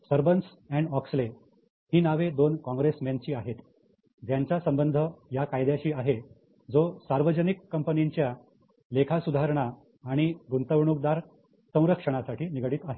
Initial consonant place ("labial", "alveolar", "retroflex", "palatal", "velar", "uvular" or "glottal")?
alveolar